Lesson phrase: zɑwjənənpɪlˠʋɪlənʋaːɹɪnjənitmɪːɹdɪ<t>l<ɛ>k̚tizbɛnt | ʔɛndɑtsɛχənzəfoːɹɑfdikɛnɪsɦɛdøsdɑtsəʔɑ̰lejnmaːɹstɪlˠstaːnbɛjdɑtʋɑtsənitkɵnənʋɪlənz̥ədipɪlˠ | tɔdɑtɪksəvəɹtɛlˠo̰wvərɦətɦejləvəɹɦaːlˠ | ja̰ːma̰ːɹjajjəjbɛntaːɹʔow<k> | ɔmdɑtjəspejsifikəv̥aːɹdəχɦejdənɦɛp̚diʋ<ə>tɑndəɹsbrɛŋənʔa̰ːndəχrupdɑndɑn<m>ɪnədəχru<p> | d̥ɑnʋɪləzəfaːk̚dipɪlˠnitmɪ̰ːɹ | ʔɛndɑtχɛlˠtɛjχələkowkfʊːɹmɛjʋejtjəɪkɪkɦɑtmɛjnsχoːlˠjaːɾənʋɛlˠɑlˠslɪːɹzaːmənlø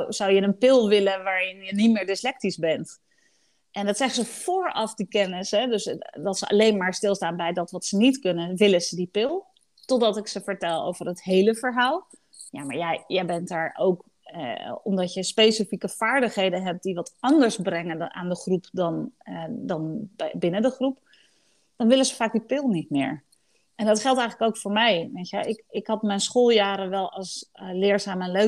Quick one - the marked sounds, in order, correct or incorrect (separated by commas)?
incorrect, correct, correct, incorrect, incorrect, correct